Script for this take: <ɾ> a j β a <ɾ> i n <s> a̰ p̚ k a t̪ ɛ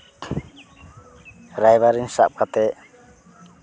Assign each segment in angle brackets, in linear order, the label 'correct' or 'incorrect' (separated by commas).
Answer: correct, correct, correct